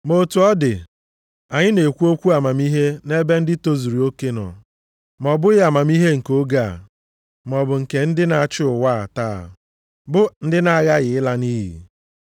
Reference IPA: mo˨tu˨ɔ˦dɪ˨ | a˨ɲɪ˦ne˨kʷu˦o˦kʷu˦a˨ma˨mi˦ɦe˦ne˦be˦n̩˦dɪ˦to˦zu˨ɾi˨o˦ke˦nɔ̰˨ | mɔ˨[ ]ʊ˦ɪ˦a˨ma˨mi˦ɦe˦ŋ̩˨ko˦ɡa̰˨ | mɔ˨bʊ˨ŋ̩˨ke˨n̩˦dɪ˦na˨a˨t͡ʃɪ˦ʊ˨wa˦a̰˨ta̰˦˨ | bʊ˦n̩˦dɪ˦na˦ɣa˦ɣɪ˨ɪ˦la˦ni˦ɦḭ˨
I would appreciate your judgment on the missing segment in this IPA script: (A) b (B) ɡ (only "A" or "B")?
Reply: A